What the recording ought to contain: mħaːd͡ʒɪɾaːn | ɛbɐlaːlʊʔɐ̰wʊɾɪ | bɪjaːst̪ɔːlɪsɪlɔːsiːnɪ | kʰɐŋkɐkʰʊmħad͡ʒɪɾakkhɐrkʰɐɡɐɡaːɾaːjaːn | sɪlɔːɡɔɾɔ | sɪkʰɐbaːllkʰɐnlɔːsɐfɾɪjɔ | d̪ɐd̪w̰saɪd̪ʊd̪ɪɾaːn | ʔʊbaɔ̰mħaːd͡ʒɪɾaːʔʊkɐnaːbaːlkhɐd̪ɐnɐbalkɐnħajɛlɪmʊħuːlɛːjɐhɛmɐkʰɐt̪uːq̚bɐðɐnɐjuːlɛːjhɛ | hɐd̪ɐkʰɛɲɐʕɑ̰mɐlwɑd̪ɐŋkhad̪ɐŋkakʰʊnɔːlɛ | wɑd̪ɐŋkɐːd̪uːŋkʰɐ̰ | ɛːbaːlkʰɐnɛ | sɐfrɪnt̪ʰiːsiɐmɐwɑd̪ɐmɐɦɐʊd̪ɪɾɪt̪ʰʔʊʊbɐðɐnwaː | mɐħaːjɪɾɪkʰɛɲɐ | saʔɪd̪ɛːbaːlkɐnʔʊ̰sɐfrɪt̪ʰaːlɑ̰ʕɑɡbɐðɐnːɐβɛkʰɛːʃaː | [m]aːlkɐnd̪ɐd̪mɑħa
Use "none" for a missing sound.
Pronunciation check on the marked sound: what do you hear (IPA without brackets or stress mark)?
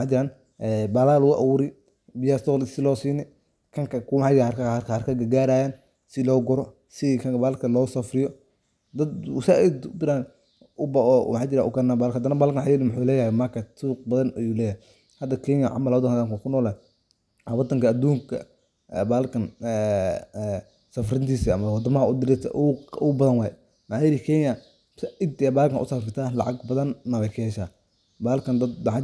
b